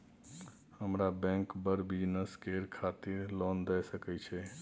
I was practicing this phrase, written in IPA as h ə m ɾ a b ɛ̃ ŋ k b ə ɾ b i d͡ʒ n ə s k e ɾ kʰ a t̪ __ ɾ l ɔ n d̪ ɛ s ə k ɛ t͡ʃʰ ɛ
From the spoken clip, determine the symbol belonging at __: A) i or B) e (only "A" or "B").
A